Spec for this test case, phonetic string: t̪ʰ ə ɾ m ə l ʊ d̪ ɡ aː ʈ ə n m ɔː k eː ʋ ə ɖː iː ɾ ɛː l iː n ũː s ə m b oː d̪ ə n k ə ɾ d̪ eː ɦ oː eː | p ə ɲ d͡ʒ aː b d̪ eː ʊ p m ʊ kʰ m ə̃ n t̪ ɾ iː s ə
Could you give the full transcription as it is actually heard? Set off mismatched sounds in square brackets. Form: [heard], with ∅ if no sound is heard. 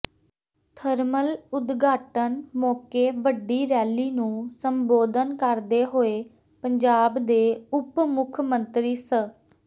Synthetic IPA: t̪ʰ ə ɾ m ə l ʊ d̪ ɡ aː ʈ ə n m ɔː k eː ʋ ə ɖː iː ɾ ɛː l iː n ũː s ə m b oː d̪ ə n k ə ɾ d̪ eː ɦ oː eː | p ə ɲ d͡ʒ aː b d̪ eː ʊ p m ʊ kʰ m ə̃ n t̪ ɾ iː s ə

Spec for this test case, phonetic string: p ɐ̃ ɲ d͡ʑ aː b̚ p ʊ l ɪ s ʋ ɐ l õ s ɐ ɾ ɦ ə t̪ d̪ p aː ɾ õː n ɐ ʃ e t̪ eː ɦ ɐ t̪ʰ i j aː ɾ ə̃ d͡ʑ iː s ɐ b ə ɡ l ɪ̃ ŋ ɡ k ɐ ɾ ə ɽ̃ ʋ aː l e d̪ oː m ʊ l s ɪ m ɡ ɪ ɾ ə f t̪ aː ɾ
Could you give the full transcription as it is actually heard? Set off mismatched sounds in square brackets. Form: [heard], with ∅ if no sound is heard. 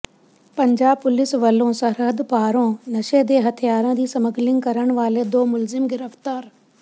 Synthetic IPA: p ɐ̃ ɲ d͡ʑ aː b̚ p ʊ l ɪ s ʋ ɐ l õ s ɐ ɾ ɦ ə [∅] d̪ p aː ɾ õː n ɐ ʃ e [d̪] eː ɦ ɐ t̪ʰ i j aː ɾ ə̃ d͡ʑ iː s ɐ [m] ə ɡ l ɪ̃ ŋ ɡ k ɐ ɾ ə ɽ̃ ʋ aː l e d̪ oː m ʊ l [z] ɪ m ɡ ɪ ɾ ə f t̪ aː ɾ

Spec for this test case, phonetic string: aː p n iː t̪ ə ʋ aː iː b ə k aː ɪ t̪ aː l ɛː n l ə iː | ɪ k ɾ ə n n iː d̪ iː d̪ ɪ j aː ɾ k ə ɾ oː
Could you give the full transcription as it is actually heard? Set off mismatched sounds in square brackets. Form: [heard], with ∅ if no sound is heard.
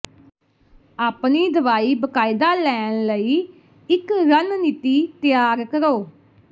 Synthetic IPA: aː p n iː [d̪] ə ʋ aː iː b ə k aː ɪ [d̪] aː l ɛː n l ə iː | ɪ k ɾ ə n n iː [t̪] iː [t̪] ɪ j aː ɾ k ə ɾ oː

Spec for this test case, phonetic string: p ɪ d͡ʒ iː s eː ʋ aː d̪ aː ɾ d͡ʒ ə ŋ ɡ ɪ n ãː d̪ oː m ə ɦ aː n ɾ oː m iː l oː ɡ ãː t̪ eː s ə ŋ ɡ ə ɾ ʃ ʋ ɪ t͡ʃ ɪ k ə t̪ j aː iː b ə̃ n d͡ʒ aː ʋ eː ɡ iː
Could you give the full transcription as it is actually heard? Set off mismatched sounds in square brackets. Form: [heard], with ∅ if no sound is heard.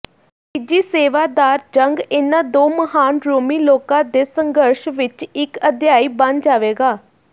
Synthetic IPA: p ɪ d͡ʒ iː s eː ʋ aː d̪ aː ɾ d͡ʒ ə ŋ ɡ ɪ n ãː d̪ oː m ə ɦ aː n ɾ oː m iː l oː [k] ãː [d̪] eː s ə ŋ ɡ ə ɾ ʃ ʋ ɪ t͡ʃ ɪ k ə [d̪] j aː iː b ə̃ n d͡ʒ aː ʋ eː ɡ [aː]

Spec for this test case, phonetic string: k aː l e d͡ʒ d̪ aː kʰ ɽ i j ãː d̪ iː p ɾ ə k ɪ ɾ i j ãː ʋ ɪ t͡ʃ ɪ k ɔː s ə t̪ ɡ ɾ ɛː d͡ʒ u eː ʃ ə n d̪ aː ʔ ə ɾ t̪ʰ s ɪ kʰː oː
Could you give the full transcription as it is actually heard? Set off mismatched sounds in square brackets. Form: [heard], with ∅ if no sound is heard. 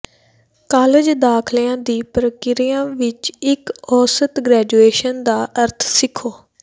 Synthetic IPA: k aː l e d͡ʒ d̪ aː kʰ [l] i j ãː d̪ iː p ɾ ə k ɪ ɾ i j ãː ʋ ɪ t͡ʃ ɪ k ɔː s ə t̪ ɡ ɾ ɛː d͡ʒ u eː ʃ ə n d̪ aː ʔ ə ɾ t̪ʰ s ɪ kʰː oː

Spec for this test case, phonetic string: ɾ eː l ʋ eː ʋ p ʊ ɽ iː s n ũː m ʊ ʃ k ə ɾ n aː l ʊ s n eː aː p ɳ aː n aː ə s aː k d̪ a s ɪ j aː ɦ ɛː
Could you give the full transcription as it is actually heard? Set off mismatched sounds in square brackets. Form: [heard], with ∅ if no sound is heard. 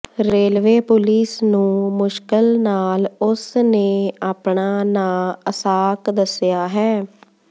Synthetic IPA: ɾ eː l ʋ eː [∅] p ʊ [l] iː s n ũː m ʊ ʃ k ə [l] n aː l ʊ s n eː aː p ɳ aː n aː ə s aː k d̪ [ə] s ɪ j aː ɦ ɛː

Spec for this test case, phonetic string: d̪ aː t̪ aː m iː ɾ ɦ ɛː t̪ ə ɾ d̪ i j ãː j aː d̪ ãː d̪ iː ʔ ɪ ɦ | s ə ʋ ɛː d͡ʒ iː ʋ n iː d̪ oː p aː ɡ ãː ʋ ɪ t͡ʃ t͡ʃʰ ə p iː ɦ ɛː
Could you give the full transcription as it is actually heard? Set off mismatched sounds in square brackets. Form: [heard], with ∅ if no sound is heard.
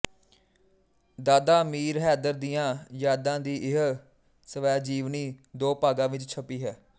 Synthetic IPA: d̪ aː [d̪] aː m iː ɾ ɦ ɛː [d̪] ə ɾ d̪ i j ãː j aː d̪ ãː d̪ iː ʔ ɪ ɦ | s ə ʋ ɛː d͡ʒ iː ʋ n iː d̪ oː p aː ɡ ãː ʋ ɪ t͡ʃ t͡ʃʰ ə p iː ɦ ɛː

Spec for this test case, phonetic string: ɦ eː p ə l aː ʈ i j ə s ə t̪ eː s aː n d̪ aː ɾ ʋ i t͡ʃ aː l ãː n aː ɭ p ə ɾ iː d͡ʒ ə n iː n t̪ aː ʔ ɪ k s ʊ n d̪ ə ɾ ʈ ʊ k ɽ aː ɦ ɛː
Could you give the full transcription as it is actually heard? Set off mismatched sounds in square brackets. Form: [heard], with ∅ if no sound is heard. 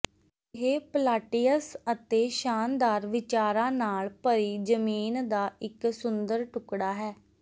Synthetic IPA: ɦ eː p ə l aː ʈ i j ə s ə t̪ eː [ʃ] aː n d̪ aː ɾ ʋ [ɪ] t͡ʃ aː [ɾ] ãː n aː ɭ p ə ɾ iː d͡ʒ ə [m] iː n [d̪] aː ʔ ɪ k s ʊ n d̪ ə ɾ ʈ ʊ k ɽ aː ɦ ɛː

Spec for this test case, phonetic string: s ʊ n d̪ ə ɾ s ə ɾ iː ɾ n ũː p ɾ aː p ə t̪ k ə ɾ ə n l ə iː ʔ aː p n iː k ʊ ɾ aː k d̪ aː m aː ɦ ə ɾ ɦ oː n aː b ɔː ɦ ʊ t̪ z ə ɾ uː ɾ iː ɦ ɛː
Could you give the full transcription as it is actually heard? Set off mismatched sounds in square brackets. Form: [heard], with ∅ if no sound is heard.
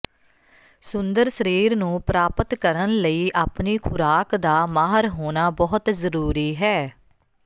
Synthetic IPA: s ʊ n d̪ ə ɾ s ə ɾ iː ɾ n ũː p ɾ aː p ə t̪ k ə ɾ ə n l ə iː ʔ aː p n iː [kʰ] ʊ ɾ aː k d̪ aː m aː ɦ ə ɾ ɦ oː n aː b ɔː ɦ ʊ t̪ z ə ɾ uː ɾ iː ɦ ɛː

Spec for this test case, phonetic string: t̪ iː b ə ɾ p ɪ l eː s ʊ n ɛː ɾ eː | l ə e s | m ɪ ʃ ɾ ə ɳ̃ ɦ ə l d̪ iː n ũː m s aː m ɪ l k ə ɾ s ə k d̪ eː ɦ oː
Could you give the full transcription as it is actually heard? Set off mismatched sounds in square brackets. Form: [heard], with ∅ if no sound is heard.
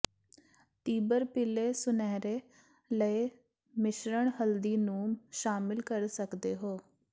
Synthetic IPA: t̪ iː b ə ɾ p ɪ l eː s ʊ n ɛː ɾ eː | l ə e [∅] | m ɪ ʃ ɾ ə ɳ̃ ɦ ə l d̪ iː n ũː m [ʃ] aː m ɪ l k ə ɾ s ə k d̪ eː ɦ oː

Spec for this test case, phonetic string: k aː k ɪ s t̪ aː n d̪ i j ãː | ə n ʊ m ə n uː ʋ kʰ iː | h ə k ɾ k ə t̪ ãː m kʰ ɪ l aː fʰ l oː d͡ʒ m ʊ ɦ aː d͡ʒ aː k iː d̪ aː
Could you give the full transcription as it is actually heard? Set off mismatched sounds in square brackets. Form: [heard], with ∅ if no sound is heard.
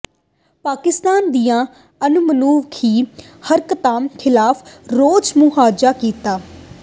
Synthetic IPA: [p] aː k ɪ s t̪ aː n d̪ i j ãː | ə n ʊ m ə n uː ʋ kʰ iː | h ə [∅] ɾ k ə t̪ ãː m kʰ ɪ l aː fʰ [ɾ] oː d͡ʒ m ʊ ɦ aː d͡ʒ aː k iː [t̪] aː

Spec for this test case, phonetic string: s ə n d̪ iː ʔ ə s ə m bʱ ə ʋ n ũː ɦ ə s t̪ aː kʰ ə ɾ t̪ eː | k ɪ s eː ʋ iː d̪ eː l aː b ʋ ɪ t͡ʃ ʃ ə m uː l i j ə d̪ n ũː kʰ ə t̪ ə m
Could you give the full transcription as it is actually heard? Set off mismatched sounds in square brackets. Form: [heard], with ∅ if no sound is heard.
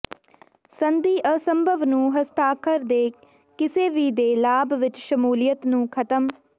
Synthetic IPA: s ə n d̪ iː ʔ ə s ə m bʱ ə ʋ n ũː ɦ ə s t̪ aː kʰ ə ɾ [d̪] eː | k ɪ s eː ʋ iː d̪ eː l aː b ʋ ɪ t͡ʃ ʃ ə m uː l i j ə [t̪] n ũː kʰ ə t̪ ə m

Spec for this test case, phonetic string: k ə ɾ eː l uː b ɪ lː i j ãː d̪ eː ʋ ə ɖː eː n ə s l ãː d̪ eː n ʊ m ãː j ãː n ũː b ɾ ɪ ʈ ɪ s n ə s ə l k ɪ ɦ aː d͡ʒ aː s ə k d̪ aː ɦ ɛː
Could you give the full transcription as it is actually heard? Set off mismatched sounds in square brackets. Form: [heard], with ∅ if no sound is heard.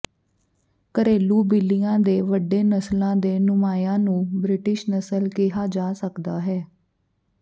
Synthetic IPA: k ə ɾ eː l uː b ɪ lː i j ãː d̪ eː ʋ ə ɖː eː n ə s l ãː d̪ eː n ʊ m [aː] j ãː n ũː b ɾ ɪ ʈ ɪ [ʃ] n ə s ə l k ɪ ɦ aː d͡ʒ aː s ə k d̪ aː ɦ ɛː

